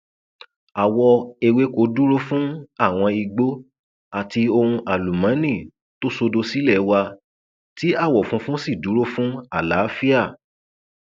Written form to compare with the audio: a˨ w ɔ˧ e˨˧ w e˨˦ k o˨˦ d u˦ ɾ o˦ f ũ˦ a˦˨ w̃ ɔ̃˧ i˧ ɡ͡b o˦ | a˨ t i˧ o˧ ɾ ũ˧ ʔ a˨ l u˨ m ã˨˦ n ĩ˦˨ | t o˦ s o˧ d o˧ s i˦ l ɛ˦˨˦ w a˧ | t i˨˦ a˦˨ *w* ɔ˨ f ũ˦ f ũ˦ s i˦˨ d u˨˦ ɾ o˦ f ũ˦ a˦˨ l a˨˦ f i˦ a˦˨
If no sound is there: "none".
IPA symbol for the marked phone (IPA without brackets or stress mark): w